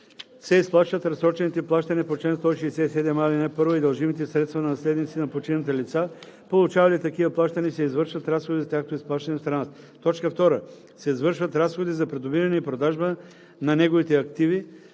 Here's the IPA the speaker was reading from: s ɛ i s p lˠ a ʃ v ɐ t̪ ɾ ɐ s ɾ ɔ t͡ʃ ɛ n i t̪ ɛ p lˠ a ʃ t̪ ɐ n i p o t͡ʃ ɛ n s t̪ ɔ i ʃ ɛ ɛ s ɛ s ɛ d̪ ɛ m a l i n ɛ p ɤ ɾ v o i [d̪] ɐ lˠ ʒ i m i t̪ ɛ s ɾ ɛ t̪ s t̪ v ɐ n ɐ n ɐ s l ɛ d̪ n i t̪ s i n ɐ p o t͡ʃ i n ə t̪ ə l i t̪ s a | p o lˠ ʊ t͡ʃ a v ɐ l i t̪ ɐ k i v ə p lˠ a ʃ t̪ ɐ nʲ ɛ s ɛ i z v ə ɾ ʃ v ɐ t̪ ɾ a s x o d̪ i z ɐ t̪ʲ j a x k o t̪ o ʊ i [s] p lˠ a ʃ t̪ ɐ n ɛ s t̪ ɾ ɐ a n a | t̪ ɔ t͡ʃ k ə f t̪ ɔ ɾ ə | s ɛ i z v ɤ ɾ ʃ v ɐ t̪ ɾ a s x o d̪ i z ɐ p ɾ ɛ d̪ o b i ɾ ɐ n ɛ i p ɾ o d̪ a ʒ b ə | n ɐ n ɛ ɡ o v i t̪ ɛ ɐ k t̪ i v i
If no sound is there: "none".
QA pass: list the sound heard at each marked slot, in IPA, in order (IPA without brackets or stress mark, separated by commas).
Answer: d̪, s